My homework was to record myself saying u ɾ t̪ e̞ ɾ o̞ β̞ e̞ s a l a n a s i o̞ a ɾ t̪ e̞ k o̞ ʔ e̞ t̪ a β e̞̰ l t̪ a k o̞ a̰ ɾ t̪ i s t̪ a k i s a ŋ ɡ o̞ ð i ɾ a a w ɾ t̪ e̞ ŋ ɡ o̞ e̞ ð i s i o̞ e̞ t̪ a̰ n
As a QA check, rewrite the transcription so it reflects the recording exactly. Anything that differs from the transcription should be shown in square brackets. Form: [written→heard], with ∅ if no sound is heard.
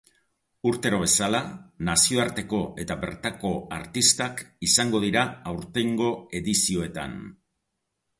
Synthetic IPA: u ɾ t̪ e̞ ɾ o̞ β̞ e̞ s a l a n a s i o̞ a ɾ t̪ e̞ k o̞ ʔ e̞ t̪ a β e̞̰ [l→ɾ] t̪ a k o̞ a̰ ɾ t̪ i s t̪ a k i s a ŋ ɡ o̞ ð i ɾ a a w ɾ t̪ e̞ ŋ ɡ o̞ e̞ ð i s i o̞ e̞ t̪ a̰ n